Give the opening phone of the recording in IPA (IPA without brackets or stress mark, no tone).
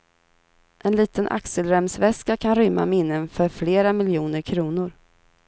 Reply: ʔ